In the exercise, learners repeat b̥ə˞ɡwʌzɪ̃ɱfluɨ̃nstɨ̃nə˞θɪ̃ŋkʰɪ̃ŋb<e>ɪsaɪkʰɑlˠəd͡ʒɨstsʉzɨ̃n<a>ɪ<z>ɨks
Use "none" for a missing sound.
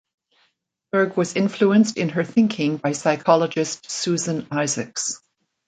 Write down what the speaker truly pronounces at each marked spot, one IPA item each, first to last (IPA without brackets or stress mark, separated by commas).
a, a, z